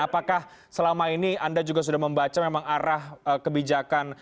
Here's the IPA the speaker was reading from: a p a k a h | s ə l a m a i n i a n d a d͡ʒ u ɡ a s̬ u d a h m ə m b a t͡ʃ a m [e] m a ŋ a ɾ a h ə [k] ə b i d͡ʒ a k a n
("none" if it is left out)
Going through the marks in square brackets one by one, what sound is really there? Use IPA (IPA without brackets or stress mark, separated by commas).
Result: e, k